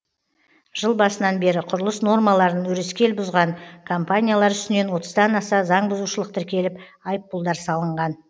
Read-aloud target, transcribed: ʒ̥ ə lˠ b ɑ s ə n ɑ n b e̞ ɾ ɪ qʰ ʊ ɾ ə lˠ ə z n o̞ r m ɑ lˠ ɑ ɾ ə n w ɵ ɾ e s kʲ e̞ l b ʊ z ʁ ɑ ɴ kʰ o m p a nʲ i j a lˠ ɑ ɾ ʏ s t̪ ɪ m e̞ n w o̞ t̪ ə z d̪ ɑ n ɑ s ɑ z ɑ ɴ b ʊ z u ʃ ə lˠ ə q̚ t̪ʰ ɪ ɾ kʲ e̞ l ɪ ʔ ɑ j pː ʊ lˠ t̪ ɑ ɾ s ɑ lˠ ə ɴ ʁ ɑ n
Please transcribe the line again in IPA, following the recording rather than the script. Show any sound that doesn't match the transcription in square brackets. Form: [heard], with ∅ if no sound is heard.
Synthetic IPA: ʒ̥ ə lˠ b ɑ s ə n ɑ n b e̞ ɾ ɪ qʰ ʊ ɾ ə lˠ ə [s] n o̞ r m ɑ lˠ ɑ ɾ ə n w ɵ ɾ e s kʲ e̞ l b ʊ z ʁ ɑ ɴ kʰ o m p a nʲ i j a lˠ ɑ ɾ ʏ s t̪ ɪ [n] e̞ n w o̞ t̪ ə z d̪ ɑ n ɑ s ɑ z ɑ ɴ b ʊ z u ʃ ə lˠ ə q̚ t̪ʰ ɪ ɾ kʲ e̞ l ɪ [p] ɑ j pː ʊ lˠ [d̪] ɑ ɾ s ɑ lˠ ə ɴ ʁ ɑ n